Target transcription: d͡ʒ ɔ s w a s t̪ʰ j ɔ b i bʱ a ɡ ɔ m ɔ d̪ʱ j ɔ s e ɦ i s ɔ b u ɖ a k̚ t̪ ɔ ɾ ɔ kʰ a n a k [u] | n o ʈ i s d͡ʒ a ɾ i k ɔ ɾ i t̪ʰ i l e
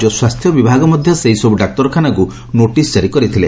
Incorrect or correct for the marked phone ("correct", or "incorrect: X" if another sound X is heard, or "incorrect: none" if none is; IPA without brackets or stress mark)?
correct